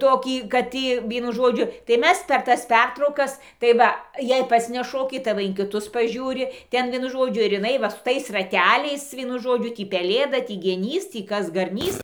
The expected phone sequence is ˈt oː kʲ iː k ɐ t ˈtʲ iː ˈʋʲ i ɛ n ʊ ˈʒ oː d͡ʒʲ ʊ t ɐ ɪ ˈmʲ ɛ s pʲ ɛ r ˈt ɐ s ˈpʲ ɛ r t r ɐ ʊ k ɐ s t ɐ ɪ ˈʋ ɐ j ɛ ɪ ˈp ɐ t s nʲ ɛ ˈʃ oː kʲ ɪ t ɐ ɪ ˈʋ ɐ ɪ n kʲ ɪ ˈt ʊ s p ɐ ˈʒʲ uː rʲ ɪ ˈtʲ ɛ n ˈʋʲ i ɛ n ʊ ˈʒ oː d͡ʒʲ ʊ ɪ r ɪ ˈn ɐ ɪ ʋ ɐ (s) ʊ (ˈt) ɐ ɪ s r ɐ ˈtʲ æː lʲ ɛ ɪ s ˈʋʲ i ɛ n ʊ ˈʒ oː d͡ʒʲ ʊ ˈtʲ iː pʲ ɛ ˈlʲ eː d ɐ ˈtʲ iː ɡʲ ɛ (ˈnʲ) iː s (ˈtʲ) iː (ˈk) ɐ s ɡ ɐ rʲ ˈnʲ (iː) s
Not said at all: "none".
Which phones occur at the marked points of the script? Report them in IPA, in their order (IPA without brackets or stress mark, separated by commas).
s, t, nʲ, tʲ, k, iː